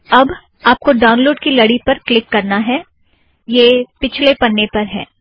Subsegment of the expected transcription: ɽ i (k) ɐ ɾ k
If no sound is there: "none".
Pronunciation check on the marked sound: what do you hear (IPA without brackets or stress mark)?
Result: p